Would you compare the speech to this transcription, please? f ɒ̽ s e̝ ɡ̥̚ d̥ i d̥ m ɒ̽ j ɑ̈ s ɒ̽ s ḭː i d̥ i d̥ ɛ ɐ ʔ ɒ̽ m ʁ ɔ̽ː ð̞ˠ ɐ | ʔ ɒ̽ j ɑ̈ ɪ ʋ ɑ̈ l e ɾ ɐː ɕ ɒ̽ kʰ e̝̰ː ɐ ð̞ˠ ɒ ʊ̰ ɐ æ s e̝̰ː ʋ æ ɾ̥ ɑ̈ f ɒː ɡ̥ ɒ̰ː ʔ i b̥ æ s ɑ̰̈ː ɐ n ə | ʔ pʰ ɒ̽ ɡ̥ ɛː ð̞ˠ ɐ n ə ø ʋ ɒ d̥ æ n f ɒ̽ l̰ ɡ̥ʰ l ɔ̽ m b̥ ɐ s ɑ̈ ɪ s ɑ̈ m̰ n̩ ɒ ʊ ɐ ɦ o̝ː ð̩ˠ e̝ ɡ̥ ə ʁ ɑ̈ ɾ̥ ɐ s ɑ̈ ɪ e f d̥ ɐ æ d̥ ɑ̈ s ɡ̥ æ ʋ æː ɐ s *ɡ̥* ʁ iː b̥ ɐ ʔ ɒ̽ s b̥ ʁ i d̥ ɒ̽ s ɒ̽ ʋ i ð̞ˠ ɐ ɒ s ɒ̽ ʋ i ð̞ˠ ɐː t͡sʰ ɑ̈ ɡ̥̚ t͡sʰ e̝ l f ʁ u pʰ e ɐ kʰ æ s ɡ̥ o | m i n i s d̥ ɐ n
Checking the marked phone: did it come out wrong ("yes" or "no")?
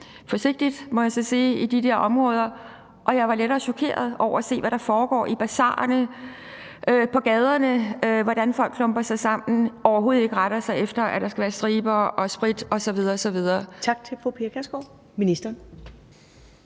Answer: yes